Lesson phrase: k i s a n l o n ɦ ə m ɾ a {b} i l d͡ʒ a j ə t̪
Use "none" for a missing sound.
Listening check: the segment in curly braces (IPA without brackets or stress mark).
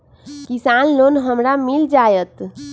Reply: m